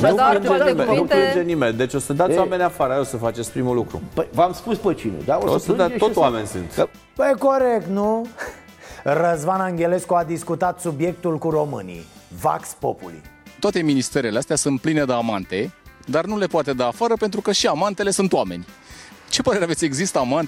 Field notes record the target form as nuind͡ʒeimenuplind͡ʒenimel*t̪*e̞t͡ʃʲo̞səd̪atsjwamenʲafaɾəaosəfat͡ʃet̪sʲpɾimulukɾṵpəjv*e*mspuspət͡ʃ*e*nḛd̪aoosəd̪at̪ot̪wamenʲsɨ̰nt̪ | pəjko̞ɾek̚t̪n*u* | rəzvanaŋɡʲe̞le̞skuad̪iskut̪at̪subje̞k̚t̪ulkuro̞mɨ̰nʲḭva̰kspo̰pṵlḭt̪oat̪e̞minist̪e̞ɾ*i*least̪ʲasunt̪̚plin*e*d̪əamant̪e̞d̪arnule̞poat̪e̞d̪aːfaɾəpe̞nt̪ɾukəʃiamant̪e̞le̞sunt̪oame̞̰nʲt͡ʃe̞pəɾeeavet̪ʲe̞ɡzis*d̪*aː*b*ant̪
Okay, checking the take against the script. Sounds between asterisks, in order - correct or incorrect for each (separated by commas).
incorrect, incorrect, incorrect, correct, incorrect, correct, incorrect, incorrect